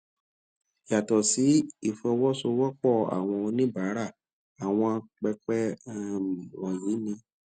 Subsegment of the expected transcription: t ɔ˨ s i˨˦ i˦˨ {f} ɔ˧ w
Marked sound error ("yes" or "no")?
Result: no